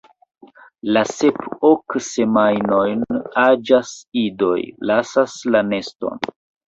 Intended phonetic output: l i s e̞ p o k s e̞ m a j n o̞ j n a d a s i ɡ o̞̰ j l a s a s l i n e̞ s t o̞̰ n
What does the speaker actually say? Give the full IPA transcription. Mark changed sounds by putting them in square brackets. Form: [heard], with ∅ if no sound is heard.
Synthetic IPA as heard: l [a] s e̞ p o k s e̞ m a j n o̞ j n a [d͡ʒ] a s i [d] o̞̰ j l a s a s l [a] n e̞ s t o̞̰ n

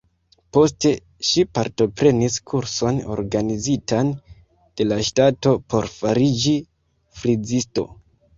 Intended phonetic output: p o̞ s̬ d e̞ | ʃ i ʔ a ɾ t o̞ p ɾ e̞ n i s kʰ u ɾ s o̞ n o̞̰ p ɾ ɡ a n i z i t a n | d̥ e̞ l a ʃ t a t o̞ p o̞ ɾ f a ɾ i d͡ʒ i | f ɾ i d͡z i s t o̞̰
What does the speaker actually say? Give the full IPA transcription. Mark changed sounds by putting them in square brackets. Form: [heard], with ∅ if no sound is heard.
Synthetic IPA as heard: p o̞ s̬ [t] e̞ | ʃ i [p] a ɾ t o̞ p ɾ e̞ n i s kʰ u ɾ s o̞ n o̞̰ [∅] ɾ ɡ a n i z i t a n | d̥ e̞ l a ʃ t a t o̞ p o̞ ɾ f a ɾ i d͡ʒ i | f ɾ i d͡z i s t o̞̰

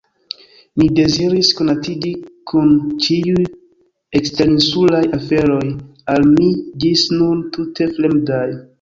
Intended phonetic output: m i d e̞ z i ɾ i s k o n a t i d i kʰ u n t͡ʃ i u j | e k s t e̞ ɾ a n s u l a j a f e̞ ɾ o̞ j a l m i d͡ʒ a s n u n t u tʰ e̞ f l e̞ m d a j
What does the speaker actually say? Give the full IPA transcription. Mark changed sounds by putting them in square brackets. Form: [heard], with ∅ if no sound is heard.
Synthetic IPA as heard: m i d e̞ z i ɾ i s k o n a t i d i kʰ u n t͡ʃ i u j | e k s t e̞ ɾ [i] n s u l a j a f e̞ ɾ o̞ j a l m i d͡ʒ [i] s n u n t u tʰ e̞ f l e̞ m d a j

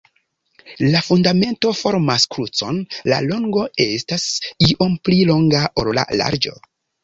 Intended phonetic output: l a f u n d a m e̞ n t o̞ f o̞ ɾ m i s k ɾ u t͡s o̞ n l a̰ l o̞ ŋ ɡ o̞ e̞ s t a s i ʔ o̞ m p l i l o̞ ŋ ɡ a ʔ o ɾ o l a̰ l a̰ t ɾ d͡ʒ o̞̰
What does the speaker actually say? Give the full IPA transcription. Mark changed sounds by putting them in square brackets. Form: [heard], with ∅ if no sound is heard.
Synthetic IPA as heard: l a f u n d a m e̞ n t o̞ f o̞ ɾ m [a] s k ɾ u t͡s o̞ n l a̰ l o̞ ŋ ɡ o̞ e̞ s t a s i ʔ o̞ m p l i l o̞ ŋ ɡ a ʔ o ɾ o l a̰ l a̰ [∅] ɾ d͡ʒ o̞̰

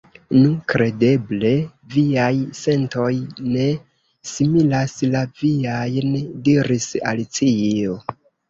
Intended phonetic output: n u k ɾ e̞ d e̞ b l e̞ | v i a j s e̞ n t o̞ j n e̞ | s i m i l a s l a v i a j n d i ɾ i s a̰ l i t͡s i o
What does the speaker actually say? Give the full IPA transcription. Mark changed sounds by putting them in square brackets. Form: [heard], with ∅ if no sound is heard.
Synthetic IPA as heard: n u k ɾ e̞ d e̞ b l e̞ | v i a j s e̞ n t o̞ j n e̞ | s i m i l a s l a v i a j n d i ɾ i s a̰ l i t͡s i o

